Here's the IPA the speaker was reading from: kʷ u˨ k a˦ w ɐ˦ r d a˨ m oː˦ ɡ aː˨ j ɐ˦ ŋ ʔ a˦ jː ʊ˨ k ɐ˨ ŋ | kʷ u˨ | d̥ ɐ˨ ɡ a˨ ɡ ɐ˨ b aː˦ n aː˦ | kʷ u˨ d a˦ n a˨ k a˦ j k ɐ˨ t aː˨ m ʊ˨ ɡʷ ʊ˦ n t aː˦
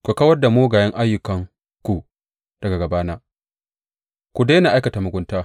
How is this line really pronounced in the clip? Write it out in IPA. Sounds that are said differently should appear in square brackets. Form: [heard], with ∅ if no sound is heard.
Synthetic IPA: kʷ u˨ k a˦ w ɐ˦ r d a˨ m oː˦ ɡ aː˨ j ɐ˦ ŋ ʔ a˦ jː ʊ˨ k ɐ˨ ŋ | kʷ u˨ | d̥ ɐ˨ ɡ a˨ ɡ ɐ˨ b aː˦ n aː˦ | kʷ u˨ d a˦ n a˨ [ʔ] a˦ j k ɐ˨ t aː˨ m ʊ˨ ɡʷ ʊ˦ n t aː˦

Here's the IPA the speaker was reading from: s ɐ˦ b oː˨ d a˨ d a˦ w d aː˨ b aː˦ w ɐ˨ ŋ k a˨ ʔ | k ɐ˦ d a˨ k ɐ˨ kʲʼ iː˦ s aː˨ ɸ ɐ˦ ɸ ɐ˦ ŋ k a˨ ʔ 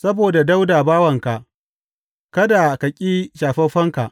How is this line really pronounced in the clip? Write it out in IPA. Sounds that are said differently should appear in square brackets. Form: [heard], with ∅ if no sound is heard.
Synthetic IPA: s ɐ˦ b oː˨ d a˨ d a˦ w d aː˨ b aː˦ w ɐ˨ ŋ k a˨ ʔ | k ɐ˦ d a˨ k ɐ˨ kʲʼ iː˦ [ʃ] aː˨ ɸ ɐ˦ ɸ ɐ˦ ŋ k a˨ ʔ

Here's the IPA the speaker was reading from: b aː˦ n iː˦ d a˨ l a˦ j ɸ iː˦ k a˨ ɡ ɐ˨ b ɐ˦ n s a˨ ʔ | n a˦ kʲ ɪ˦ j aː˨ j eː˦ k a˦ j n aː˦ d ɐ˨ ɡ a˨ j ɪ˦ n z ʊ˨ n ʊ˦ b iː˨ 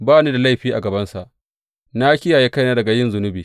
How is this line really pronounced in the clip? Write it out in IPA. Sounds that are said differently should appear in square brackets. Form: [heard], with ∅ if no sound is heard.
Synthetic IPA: b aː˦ n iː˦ d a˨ l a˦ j ɸ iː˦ [ʔ] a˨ ɡ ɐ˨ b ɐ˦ n s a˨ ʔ | n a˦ kʲ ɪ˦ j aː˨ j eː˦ k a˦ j n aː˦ d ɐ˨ ɡ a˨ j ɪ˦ n z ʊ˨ n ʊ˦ b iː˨

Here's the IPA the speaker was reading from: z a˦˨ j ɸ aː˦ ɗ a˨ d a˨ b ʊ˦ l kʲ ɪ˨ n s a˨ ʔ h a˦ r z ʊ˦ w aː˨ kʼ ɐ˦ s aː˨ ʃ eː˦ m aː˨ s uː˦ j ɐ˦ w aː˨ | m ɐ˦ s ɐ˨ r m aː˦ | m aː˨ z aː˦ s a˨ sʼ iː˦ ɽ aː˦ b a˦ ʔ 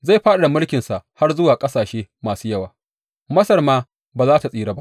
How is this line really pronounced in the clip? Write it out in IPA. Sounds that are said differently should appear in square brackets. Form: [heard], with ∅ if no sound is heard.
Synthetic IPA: z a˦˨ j ɸ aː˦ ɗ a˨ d a˨ [m] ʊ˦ l kʲ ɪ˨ n s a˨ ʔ h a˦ r z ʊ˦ w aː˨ kʼ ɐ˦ s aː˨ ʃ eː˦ m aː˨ s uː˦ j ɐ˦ w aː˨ | m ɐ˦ s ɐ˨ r m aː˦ | [b] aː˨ z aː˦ [t] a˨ sʼ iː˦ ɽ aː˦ b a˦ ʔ

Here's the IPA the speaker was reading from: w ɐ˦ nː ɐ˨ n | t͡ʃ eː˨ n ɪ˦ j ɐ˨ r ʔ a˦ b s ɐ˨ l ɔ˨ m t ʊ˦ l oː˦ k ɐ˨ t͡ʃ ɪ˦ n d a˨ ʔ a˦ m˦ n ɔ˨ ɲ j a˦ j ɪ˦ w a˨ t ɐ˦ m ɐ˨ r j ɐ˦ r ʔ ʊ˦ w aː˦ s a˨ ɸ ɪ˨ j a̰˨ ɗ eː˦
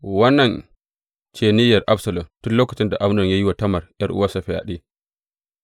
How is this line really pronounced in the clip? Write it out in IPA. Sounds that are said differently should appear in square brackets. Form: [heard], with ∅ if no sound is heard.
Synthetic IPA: w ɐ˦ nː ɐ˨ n | t͡ʃ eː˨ n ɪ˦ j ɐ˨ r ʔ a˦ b s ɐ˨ l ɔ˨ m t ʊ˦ l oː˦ k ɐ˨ t͡ʃ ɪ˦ n d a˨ ʔ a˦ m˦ n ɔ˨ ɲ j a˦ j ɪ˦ w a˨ t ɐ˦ m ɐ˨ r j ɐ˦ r ʔ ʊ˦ w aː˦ s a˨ ɸ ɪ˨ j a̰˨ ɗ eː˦

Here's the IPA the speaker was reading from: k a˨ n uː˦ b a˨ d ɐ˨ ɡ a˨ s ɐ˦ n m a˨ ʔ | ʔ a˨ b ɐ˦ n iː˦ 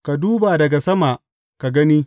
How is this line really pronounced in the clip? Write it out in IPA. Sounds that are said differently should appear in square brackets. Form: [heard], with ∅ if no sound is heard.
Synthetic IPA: k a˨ [d] uː˦ b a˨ d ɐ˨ ɡ a˨ s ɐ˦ [∅] m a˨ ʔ | [k] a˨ [ɡ] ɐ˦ n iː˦

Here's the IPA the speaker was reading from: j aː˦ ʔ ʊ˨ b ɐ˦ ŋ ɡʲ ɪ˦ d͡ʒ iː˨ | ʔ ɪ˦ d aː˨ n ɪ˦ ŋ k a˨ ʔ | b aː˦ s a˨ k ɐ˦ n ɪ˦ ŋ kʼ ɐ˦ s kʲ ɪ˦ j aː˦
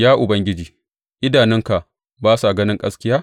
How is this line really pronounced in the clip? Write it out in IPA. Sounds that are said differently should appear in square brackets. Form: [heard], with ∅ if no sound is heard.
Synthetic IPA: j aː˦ ʔ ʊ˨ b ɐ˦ ŋ ɡʲ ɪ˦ d͡ʒ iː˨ | ʔ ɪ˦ d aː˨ n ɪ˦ ŋ k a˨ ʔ | b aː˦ s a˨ [ɡ] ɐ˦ n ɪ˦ ŋ kʼ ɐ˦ s kʲ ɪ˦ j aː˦

